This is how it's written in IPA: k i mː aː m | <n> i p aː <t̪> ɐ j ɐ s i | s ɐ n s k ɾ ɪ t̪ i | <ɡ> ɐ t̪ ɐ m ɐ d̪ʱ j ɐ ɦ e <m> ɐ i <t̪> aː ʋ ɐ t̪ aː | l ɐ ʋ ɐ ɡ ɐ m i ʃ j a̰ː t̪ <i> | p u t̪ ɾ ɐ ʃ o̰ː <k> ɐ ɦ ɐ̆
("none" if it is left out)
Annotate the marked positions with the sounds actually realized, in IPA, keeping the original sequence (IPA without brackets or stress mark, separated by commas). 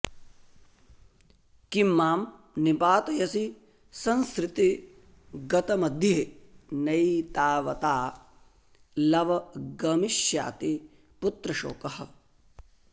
n, t̪, ɡ, n, t̪, i, k